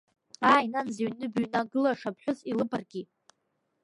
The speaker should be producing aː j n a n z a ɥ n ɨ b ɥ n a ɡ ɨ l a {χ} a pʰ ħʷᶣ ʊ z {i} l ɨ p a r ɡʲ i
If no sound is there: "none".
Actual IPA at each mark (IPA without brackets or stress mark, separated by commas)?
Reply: ʂ, i